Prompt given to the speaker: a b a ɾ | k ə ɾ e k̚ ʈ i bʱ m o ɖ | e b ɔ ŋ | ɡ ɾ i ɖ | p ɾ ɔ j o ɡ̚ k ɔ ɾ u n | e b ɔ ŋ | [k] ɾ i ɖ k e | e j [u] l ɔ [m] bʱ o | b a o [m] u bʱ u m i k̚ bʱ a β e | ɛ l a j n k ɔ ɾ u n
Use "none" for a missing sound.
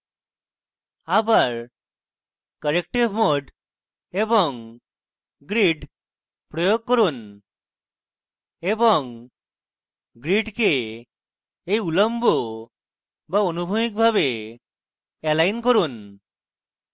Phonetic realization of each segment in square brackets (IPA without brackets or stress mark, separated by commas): ɡ, u, m, n